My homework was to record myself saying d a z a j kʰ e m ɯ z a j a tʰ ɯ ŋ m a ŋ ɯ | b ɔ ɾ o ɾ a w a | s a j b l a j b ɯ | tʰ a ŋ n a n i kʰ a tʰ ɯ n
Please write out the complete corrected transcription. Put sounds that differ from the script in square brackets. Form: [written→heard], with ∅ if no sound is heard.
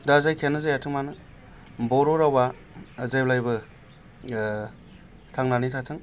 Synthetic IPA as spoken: d a z a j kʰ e [m→n] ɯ z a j a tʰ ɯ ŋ m a [ŋ→n] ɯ | b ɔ ɾ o ɾ a w a | [s→z] a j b l a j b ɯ | tʰ a ŋ n a n i [kʰ→tʰ] a tʰ ɯ [n→ŋ]